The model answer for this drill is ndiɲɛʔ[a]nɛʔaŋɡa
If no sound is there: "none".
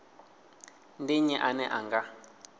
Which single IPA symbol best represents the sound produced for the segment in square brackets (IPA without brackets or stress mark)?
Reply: a